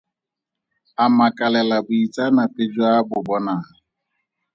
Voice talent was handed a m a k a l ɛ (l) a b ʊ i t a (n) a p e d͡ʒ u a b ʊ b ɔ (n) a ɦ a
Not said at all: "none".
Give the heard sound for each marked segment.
l, n, n

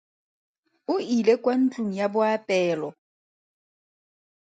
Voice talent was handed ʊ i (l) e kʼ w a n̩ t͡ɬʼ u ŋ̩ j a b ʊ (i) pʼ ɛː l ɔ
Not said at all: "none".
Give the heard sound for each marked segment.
l, a

